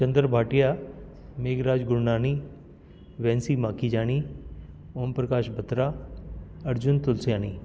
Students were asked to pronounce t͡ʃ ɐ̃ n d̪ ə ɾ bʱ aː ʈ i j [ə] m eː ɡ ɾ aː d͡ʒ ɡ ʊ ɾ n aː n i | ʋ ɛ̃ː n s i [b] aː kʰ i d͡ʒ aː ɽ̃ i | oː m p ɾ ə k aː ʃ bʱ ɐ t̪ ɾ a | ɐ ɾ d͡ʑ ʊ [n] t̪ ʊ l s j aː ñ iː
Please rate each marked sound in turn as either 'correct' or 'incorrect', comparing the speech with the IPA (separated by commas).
incorrect, incorrect, correct